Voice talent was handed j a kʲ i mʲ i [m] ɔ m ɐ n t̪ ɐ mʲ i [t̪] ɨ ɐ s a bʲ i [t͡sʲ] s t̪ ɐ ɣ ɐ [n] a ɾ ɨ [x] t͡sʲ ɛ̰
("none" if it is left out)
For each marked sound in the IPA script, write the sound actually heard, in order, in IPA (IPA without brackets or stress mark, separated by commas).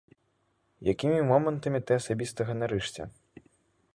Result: m, t̪, none, n, ʂ